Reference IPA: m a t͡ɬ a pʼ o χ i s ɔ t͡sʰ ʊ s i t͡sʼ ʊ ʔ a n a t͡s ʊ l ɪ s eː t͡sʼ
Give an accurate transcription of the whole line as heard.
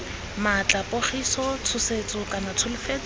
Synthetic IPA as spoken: m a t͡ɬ a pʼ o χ i s ɔ t͡sʰ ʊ s e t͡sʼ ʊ k a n a t͡sʰ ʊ l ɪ f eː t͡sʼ